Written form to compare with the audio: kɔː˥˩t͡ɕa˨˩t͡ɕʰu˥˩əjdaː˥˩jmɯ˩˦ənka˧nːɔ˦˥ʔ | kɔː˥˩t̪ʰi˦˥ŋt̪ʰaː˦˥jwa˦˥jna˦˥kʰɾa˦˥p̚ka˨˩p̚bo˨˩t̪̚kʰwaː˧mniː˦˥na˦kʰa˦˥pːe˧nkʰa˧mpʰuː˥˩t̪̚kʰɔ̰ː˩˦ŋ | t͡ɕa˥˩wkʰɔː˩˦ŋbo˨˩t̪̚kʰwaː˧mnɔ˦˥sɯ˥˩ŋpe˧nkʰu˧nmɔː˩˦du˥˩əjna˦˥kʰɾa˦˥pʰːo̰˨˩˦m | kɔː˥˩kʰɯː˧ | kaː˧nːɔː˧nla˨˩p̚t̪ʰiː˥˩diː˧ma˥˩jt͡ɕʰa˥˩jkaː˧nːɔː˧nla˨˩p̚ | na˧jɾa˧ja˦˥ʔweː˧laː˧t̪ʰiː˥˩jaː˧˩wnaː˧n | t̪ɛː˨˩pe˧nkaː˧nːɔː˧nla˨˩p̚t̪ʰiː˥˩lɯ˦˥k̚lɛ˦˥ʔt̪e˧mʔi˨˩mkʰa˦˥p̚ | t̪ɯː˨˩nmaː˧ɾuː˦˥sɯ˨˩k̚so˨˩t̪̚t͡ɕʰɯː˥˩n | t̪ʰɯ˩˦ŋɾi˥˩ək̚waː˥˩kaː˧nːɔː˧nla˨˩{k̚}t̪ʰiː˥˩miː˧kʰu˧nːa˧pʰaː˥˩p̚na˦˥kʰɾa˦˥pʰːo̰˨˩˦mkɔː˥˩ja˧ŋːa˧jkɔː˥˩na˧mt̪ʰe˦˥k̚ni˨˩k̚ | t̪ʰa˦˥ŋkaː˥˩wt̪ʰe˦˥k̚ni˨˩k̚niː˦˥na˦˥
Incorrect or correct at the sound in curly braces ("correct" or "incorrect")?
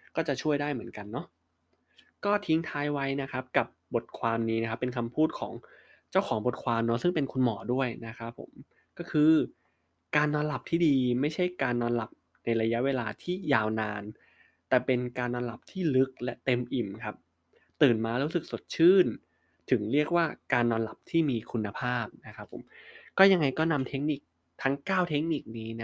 incorrect